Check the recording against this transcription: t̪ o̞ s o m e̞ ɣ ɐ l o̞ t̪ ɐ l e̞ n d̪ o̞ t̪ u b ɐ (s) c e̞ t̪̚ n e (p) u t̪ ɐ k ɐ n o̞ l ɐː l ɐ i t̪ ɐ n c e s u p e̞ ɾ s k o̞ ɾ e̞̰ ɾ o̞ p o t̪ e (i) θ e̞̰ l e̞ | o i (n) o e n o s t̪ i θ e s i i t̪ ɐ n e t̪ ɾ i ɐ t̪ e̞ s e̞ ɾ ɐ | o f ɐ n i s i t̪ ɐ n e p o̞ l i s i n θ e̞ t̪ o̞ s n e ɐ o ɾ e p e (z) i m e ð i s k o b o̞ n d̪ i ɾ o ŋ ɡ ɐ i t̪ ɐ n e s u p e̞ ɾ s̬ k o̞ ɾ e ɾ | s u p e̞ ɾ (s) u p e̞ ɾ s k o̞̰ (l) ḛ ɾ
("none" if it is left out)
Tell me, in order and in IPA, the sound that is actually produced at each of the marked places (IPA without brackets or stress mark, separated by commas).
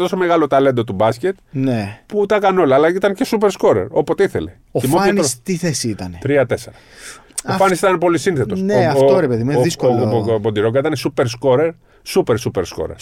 s, p, i, m, ð, s, ɾ